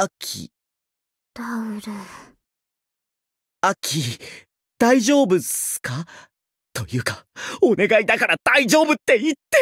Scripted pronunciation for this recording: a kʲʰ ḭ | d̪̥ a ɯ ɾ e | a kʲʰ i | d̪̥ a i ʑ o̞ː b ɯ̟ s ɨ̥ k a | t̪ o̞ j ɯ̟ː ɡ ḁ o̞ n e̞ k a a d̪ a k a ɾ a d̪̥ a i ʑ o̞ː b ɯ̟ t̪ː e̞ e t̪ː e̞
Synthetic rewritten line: a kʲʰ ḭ | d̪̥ a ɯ ɾ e | a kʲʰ i | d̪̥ a i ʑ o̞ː b ɯ̟ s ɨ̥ k a | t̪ o̞ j ɯ̟ː k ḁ o̞ n e̞ ɡ a i d̪ a k a ɾ a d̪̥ a i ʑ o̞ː b ɯ̟ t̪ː e̞ i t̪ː e̞